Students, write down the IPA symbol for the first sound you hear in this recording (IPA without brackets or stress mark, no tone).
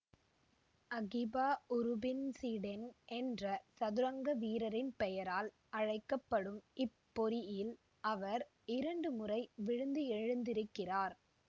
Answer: ɐ